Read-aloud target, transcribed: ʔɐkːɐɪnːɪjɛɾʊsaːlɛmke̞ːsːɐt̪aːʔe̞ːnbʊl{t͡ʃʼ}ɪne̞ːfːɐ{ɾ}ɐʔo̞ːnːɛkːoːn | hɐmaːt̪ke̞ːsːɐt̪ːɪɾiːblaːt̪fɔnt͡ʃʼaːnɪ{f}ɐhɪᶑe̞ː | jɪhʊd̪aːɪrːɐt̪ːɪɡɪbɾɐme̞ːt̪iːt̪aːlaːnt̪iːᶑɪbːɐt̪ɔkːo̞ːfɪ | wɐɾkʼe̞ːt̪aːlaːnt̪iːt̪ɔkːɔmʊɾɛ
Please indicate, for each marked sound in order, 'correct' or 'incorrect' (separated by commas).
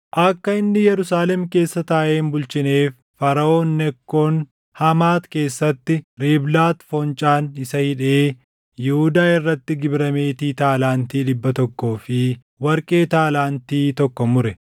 incorrect, correct, incorrect